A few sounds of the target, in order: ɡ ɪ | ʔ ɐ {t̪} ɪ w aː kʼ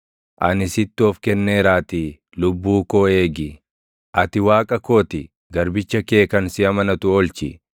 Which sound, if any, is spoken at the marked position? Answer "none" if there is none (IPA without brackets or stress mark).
t̪